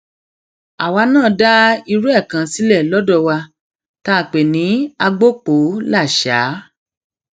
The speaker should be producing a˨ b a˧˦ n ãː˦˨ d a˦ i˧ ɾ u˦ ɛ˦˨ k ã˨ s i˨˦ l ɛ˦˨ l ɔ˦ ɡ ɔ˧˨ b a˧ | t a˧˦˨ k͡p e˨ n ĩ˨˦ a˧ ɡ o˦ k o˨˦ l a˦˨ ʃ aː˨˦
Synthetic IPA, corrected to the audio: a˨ w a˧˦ n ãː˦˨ d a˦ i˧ ɾ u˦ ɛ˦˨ k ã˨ s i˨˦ l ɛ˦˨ l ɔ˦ d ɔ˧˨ w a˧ | t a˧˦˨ k͡p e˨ n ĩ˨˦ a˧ ɡ͡b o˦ k͡p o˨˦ l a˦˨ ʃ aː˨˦

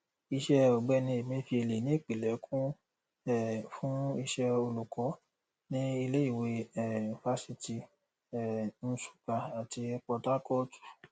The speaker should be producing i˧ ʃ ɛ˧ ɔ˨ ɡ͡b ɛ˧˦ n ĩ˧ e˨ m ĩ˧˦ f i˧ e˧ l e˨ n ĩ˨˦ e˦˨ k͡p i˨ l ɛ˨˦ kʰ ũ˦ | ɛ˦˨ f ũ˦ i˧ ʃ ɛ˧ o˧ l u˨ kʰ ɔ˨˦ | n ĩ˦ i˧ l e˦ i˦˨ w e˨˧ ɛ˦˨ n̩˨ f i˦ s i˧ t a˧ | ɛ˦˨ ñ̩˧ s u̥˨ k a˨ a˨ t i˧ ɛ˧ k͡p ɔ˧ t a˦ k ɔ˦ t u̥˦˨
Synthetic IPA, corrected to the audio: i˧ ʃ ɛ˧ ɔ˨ ɡ͡b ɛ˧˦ n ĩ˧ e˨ m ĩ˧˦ f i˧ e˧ l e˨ n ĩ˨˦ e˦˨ k͡p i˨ l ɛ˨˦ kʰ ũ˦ | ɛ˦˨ f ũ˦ i˧ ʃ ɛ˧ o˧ l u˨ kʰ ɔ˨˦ | n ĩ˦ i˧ l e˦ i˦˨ w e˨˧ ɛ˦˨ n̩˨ f a˦ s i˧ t i˧ | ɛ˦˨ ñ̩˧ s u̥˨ k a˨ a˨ t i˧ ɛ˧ k͡p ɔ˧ t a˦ k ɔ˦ t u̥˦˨

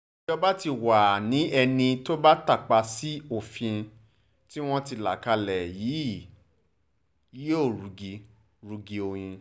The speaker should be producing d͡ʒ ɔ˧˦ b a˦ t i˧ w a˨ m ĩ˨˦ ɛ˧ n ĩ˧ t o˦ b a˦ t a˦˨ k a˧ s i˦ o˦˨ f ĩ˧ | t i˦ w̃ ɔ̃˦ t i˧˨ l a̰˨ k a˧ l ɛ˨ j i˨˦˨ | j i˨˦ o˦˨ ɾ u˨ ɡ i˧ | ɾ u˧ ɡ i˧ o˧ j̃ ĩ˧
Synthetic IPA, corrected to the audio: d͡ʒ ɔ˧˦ b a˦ t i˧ w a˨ n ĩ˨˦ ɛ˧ n ĩ˧ t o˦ b a˦ t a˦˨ k͡p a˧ s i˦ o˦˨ f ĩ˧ | t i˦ w̃ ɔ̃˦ t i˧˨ l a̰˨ k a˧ l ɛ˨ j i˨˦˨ | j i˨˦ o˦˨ ɾ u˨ ɡ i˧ | ɾ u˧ ɡ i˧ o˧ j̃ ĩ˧

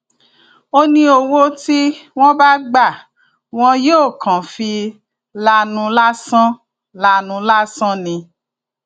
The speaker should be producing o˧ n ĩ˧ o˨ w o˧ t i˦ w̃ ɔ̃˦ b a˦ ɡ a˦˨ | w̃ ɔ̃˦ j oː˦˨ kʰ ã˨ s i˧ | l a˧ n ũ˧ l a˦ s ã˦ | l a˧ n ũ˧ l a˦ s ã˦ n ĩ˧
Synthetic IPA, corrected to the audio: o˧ n ĩ˧ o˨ w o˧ t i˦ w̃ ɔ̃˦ b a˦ ɡ͡b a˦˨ | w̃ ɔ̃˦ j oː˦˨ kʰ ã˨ f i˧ | l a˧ n ũ˧ l a˦ s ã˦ | l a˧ n ũ˧ l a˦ s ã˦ n ĩ˧

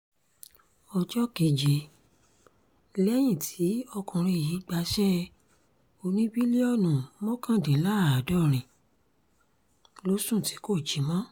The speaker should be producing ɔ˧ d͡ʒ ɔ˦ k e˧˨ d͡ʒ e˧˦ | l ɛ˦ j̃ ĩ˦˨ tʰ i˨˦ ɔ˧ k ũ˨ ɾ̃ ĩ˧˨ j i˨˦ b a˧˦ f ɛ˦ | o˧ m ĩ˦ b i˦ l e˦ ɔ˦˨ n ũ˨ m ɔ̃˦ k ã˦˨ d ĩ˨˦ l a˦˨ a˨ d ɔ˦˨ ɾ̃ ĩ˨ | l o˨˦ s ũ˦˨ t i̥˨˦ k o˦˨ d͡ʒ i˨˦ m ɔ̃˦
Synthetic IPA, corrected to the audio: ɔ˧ d͡ʒ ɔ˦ k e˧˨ d͡ʒ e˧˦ | l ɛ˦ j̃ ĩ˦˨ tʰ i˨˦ ɔ˧ k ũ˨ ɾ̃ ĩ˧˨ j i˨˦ ɡ͡b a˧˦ ʃ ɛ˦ | o˧ n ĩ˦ b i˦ l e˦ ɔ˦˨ n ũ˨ m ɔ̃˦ k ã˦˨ d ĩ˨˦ l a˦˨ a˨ d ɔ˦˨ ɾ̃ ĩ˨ | l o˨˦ s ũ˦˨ t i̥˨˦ k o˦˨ d͡ʒ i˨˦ m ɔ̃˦

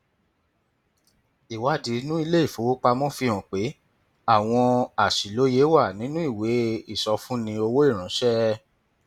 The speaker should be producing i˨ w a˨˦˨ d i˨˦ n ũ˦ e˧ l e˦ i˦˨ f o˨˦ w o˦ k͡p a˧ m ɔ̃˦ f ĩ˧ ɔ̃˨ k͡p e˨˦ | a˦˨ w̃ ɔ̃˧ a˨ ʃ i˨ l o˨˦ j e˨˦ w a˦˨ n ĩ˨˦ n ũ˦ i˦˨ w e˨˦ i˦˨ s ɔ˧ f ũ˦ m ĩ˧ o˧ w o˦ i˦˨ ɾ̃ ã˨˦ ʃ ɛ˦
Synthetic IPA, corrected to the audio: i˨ w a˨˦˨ d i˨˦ n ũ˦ i˧ l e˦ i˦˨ f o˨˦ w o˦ k͡p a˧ m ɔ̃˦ f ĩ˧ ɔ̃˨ k͡p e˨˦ | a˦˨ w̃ ɔ̃˧ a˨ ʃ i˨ l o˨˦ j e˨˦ w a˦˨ n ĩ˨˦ n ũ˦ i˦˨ w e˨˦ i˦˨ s ɔ˧ f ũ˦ n ĩ˧ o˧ w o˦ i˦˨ ɾ̃ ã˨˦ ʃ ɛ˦

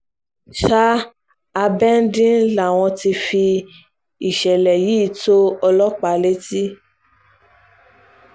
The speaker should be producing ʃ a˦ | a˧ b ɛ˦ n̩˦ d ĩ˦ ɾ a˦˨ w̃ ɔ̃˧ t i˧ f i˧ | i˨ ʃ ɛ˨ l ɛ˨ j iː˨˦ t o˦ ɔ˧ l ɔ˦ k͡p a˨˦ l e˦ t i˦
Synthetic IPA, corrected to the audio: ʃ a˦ | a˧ b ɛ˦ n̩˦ d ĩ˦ l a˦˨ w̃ ɔ̃˧ t i˧ f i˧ | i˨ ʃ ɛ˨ l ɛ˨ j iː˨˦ t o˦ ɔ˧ l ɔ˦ k͡p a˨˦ l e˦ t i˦

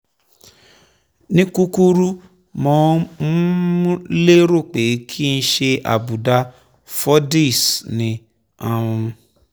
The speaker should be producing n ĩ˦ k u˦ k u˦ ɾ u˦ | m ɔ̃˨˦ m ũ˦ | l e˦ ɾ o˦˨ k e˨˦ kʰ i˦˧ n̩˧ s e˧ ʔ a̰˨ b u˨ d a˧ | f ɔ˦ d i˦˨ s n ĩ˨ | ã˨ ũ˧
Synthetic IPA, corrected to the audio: n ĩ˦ k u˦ k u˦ ɾ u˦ | m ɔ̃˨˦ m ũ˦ | l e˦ ɾ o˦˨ k͡p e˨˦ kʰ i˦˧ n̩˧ ʃ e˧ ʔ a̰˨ b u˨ d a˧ | f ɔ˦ d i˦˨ s n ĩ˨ | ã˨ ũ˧

